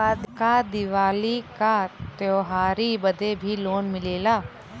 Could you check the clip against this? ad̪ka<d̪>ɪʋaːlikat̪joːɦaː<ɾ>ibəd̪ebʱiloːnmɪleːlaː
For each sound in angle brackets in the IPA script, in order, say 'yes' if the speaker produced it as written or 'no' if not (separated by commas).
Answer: yes, yes